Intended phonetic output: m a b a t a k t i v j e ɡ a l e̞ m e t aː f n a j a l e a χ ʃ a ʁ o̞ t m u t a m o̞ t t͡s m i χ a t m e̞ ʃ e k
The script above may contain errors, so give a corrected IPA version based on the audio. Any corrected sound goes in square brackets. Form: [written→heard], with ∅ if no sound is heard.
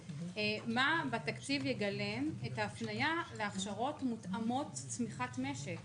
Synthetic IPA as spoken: m a b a t a k [t→t͡s] i v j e ɡ a l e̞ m e t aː f n a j a l e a χ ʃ a ʁ o̞ t m u t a m o̞ t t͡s m i χ a t m e̞ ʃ e k